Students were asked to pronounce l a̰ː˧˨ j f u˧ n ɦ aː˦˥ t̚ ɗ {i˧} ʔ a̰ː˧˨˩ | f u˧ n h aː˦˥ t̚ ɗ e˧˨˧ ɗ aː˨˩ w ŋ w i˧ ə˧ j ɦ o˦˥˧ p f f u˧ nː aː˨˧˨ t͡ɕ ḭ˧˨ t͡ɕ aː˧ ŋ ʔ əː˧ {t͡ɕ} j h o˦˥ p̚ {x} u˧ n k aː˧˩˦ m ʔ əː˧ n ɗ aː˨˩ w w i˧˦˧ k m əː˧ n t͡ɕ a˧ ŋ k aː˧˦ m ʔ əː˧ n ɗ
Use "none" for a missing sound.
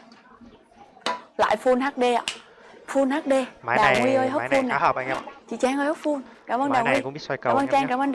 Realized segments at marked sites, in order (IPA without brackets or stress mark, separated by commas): e˧, none, f